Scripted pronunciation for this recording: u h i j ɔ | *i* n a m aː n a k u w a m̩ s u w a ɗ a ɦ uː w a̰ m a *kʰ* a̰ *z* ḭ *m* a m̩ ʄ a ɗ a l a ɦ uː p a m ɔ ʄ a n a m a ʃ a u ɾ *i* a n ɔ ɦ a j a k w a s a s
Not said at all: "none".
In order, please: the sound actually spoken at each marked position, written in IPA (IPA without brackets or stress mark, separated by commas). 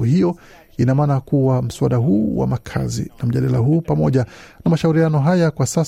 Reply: i, kʰ, z, n, i